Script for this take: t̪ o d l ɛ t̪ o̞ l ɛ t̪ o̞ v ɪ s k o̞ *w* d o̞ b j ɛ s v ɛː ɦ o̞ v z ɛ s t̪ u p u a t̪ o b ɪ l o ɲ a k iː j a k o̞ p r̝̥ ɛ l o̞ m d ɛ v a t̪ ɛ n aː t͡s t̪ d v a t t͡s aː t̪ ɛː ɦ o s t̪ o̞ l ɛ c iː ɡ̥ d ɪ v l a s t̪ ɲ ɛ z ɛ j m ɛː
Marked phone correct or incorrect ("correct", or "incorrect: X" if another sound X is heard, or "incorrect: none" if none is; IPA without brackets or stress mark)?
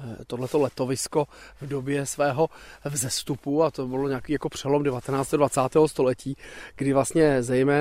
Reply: incorrect: v